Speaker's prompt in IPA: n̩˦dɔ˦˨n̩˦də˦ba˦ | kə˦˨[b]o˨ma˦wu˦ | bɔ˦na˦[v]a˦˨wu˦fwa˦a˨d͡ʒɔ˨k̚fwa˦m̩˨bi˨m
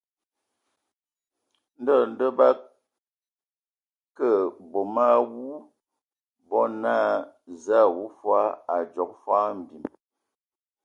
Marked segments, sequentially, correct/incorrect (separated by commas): correct, incorrect